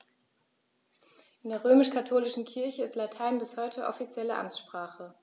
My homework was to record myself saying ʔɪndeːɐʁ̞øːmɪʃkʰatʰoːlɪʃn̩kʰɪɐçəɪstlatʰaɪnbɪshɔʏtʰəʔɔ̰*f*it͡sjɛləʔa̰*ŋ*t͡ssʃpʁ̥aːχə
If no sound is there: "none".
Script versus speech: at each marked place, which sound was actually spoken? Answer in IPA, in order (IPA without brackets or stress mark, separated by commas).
f, m